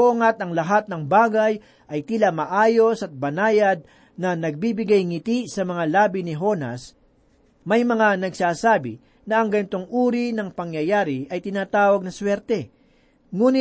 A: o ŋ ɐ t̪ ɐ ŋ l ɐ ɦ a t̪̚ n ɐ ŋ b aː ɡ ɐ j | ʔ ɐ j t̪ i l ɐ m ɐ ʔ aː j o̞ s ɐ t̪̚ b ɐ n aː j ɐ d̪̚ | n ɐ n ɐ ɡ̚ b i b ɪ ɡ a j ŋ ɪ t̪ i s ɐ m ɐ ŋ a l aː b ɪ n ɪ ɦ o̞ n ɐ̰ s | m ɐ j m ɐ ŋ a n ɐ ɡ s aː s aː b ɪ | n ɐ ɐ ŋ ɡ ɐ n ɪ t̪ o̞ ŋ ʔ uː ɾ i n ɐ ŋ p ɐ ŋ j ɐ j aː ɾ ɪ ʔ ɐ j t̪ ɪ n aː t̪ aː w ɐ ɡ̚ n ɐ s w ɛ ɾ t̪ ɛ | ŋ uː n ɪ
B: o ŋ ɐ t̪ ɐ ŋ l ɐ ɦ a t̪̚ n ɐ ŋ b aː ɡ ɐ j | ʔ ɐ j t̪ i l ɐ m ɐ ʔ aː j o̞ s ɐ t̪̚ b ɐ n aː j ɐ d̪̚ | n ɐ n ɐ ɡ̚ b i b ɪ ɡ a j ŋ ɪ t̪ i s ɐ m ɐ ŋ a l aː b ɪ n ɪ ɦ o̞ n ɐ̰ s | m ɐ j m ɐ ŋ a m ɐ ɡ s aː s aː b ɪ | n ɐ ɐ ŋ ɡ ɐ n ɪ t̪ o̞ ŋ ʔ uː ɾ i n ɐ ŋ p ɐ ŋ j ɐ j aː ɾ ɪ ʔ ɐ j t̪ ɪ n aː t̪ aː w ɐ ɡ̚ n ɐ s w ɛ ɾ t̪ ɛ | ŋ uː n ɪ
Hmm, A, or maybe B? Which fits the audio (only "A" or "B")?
A